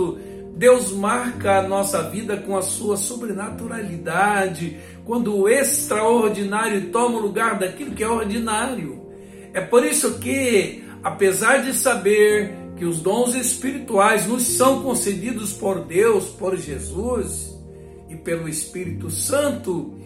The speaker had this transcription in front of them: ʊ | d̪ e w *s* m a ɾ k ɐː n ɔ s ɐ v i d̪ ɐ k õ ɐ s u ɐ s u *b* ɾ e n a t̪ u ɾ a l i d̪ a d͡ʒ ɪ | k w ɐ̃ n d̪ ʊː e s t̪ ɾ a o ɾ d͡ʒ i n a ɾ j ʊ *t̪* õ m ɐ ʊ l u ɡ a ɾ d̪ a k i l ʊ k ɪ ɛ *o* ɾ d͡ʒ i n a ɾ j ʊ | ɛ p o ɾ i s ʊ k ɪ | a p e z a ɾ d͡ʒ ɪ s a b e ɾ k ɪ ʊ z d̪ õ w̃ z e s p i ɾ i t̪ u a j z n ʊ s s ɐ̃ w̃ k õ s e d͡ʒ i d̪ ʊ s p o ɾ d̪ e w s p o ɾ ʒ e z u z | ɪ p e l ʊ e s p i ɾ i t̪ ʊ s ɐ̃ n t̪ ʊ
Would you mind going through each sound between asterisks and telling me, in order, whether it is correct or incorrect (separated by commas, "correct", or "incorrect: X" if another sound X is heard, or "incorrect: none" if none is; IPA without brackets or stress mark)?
incorrect: z, correct, correct, correct